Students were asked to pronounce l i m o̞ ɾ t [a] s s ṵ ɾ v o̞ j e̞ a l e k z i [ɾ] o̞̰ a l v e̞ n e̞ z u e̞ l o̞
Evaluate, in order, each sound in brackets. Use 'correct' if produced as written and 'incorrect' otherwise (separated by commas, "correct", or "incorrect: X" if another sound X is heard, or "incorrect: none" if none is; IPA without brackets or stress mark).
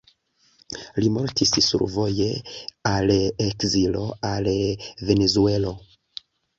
incorrect: i, incorrect: l